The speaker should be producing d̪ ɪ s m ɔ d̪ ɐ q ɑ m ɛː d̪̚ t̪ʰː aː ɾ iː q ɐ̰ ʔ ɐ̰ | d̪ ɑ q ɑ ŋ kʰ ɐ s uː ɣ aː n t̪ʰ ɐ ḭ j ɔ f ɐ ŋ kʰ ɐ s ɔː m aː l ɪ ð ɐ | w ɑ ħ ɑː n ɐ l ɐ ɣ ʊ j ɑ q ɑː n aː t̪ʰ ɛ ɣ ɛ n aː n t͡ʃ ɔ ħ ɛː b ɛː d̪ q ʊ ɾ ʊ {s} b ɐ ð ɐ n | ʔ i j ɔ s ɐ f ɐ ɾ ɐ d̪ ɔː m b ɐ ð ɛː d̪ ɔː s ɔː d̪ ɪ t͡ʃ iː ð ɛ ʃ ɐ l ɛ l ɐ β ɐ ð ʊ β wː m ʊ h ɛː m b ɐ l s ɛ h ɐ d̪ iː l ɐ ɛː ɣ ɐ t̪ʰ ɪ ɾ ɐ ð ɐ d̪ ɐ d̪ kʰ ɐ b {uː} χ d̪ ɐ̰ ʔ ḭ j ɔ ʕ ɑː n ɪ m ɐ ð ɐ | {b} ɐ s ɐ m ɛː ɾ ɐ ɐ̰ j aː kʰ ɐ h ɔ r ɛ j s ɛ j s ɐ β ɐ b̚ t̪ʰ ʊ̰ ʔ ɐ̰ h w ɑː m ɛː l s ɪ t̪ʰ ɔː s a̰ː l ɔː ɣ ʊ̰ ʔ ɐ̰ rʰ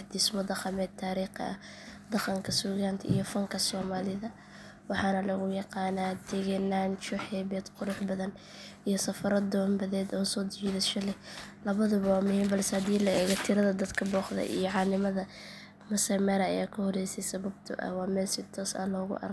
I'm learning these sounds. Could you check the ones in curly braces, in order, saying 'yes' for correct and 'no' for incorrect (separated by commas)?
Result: no, no, no